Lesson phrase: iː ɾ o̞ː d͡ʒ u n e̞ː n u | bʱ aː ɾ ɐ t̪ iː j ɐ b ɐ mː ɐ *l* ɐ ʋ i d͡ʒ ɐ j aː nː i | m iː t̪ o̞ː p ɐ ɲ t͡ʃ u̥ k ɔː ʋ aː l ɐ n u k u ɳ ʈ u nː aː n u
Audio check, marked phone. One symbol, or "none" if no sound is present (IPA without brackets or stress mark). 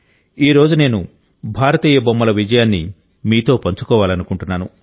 l